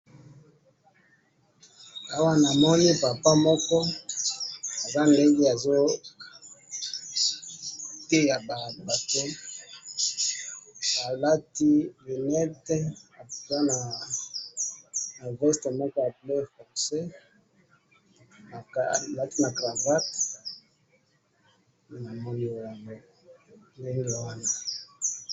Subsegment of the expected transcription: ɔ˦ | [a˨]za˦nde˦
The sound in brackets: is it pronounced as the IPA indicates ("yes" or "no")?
yes